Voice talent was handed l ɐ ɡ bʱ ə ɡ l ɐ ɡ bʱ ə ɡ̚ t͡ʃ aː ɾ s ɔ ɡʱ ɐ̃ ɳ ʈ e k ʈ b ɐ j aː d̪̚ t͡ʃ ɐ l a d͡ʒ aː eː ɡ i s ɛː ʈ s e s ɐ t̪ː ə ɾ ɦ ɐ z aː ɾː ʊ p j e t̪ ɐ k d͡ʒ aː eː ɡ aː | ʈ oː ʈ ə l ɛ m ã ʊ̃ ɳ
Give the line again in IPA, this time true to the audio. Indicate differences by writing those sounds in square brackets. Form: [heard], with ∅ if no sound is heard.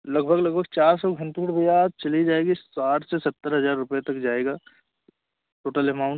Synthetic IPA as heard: l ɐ ɡ bʱ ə ɡ l ɐ ɡ bʱ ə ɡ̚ t͡ʃ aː ɾ s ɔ ɡʱ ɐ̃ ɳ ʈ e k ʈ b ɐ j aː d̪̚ t͡ʃ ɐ l [i] d͡ʒ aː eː ɡ i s [aː] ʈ s e s ɐ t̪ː ə ɾ ɦ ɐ z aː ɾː ʊ p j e t̪ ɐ k d͡ʒ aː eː ɡ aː | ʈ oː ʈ ə l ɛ m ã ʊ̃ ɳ